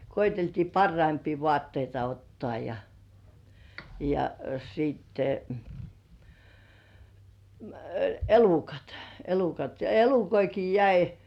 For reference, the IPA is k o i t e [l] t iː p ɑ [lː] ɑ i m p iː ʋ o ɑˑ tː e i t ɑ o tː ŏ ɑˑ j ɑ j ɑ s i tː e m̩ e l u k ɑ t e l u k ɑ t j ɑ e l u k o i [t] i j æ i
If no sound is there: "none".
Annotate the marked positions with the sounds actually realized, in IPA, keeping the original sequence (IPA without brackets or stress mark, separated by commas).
l, rː, k